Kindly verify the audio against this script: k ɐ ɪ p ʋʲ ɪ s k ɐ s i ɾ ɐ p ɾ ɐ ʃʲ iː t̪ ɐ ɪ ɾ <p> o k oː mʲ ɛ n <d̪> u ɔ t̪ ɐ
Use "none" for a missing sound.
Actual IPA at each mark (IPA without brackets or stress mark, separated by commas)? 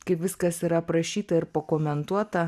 p, t̪